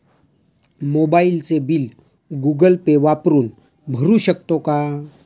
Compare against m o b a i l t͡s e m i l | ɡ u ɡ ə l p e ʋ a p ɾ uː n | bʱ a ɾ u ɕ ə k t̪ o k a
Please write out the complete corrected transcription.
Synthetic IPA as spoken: m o b a i l t͡s e b i l | ɡ u ɡ ə l p e ʋ a p ɾ uː n | bʱ ə ɾ u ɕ ə k t̪ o k a